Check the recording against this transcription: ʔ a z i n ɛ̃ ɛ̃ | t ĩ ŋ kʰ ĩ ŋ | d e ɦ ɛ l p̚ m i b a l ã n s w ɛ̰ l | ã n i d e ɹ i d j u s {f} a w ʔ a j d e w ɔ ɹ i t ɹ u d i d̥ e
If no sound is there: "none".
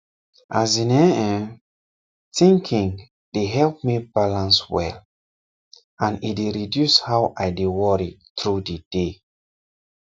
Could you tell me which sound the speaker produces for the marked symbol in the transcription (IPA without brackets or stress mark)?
h